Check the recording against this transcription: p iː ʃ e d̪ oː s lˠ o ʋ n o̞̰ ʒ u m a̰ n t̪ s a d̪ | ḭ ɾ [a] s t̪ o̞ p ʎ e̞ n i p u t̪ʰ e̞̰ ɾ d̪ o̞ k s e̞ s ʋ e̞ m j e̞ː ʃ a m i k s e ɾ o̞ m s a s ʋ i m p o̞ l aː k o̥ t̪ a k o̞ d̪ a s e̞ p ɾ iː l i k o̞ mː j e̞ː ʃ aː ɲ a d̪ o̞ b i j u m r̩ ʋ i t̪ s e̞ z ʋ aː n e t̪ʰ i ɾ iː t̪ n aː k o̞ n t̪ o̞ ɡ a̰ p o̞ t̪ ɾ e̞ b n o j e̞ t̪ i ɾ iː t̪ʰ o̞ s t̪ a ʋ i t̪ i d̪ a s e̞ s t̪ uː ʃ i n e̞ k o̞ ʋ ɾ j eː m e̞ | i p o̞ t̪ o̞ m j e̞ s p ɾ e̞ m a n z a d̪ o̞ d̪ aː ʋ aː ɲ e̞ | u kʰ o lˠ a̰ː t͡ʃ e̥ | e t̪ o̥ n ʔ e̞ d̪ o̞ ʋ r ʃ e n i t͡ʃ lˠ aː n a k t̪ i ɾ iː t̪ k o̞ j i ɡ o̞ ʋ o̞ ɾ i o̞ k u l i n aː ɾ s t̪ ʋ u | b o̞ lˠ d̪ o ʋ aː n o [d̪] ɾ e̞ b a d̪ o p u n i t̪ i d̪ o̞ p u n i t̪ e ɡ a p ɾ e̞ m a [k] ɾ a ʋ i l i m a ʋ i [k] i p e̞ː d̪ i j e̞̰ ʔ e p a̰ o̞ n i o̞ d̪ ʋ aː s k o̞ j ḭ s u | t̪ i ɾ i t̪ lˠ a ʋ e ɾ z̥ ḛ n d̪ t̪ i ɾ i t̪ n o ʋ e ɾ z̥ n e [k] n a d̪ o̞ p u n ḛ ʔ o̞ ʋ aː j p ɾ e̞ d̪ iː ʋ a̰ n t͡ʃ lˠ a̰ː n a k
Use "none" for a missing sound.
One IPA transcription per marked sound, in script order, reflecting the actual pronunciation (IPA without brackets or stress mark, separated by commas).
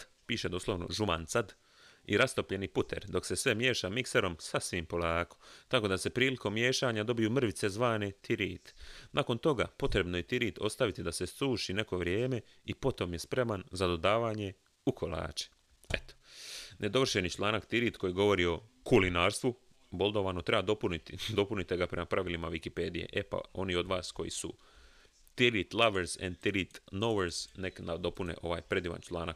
a, t̪, p, k, k